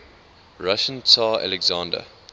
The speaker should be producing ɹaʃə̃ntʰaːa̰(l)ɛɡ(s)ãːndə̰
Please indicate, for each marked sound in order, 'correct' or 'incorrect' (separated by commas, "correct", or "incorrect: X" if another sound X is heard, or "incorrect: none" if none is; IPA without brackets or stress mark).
correct, incorrect: z